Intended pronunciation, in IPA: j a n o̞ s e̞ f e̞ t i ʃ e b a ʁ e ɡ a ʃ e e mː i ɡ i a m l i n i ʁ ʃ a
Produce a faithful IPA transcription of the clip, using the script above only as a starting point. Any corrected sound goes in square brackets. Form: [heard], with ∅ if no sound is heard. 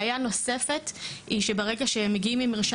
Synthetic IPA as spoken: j a n o̞ s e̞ f e̞ t i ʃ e b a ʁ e ɡ a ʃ e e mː [e] ɡ i [i] m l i [m] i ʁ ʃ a